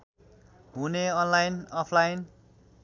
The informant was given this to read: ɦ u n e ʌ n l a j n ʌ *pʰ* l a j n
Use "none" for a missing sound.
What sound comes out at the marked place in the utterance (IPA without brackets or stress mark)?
pʰ